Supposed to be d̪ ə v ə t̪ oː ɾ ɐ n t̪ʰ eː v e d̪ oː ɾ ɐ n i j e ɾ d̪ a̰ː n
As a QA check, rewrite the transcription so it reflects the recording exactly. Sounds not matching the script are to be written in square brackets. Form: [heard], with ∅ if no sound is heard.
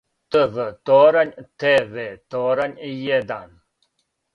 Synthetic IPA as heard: [t̪] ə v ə t̪ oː ɾ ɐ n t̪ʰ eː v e [t̪] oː ɾ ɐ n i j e [∅] d̪ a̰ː n